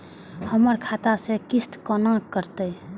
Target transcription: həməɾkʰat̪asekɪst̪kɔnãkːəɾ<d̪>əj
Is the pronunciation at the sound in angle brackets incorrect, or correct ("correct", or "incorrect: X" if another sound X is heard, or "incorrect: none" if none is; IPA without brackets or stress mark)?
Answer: incorrect: t̪